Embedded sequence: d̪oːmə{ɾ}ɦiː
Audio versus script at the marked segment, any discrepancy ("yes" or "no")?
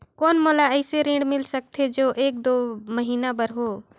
yes